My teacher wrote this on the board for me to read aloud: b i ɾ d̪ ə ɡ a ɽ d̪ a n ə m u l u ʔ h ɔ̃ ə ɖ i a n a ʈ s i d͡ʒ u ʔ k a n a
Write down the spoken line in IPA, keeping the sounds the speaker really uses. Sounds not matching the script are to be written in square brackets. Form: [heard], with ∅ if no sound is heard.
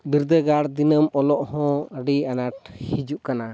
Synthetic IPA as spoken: b i ɾ d̪ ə ɡ a ɽ d̪ [i] n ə m [ɔ] l [ɔ] ʔ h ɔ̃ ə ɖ i a n a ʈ [h] i d͡ʒ u ʔ k a n a